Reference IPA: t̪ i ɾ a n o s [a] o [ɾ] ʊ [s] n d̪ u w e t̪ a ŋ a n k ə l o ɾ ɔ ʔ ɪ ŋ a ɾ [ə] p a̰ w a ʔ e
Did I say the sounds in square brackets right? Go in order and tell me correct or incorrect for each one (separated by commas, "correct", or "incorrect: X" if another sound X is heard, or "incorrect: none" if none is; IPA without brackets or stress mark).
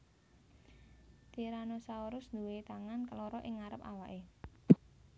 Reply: correct, correct, correct, correct